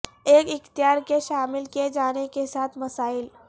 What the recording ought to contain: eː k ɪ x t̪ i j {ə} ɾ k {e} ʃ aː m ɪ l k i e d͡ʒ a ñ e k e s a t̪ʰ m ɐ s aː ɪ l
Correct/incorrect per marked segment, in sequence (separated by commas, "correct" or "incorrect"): incorrect, correct